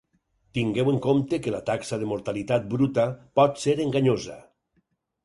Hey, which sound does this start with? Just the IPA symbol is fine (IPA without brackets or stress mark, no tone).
t̪